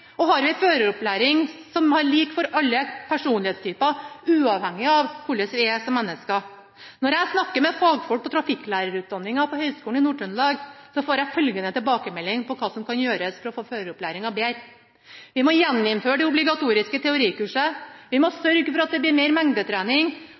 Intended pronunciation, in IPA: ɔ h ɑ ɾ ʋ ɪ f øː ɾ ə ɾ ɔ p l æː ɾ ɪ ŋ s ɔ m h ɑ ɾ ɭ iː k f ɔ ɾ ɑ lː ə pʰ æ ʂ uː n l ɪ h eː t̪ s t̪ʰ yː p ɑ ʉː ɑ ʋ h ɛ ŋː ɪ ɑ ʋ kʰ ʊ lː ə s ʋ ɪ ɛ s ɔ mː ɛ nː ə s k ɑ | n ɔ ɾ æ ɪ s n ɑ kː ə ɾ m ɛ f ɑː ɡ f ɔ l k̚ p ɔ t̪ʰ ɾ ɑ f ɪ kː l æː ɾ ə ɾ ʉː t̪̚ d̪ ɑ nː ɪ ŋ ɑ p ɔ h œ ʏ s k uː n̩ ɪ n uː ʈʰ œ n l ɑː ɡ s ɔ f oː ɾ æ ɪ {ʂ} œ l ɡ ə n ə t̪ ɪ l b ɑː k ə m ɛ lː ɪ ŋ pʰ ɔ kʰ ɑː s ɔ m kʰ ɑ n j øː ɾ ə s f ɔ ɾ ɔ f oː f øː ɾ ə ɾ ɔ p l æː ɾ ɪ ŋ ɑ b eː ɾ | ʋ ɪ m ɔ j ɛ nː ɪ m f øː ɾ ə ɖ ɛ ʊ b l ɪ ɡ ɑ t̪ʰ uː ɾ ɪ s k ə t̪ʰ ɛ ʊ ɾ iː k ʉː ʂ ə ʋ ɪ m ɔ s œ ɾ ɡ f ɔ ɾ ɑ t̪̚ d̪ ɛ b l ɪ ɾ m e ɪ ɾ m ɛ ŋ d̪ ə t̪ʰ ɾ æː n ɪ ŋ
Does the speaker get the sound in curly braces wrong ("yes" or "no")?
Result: yes